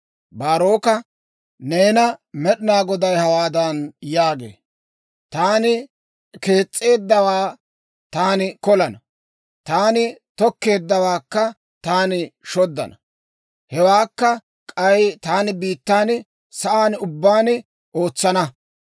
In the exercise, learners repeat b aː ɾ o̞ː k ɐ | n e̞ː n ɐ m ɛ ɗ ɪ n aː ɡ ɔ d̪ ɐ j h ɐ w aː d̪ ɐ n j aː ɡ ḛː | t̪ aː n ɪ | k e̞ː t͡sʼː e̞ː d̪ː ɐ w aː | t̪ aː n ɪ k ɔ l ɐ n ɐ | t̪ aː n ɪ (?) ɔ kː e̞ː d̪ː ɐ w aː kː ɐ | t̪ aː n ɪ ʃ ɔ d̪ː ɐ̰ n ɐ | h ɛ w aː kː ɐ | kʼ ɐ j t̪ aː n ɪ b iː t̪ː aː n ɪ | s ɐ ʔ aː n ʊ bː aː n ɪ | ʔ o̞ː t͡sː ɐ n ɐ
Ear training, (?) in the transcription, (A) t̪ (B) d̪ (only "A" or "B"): A